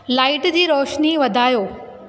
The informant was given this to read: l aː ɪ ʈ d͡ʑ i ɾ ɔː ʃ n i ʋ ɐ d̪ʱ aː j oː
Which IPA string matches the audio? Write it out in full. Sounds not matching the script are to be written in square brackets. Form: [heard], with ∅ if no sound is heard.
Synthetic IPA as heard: l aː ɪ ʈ d͡ʑ [iː] ɾ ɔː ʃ n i ʋ ɐ d̪ʱ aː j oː